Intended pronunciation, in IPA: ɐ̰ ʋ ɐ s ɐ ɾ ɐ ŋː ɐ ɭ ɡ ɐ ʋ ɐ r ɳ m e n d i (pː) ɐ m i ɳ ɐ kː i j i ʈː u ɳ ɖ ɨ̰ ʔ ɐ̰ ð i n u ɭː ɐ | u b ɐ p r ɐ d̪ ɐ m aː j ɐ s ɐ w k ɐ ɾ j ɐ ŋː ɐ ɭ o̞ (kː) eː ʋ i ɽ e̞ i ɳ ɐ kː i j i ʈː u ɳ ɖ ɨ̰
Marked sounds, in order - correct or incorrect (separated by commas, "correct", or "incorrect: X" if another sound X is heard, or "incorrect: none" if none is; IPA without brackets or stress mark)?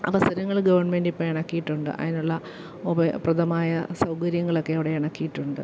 correct, correct